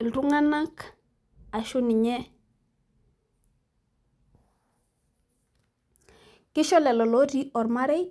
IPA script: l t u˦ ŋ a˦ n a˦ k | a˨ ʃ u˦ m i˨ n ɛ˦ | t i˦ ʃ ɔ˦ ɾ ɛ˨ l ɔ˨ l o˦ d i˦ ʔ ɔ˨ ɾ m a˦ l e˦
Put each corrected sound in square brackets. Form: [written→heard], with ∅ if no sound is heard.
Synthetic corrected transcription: l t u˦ ŋ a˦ n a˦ k | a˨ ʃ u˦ [m→n] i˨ [n→ɲ] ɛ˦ | [t→k] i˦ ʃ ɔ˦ [ɾ→l] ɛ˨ l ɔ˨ l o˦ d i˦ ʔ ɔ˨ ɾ m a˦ [l→ɾ] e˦